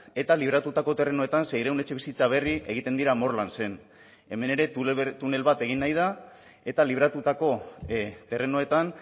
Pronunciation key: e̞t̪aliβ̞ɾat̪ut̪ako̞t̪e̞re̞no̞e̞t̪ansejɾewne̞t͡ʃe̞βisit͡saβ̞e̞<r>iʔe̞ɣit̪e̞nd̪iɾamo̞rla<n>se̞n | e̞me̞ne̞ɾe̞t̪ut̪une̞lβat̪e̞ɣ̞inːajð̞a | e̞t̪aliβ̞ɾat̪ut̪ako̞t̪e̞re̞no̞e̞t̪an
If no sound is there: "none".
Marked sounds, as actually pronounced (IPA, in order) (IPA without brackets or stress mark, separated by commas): r, n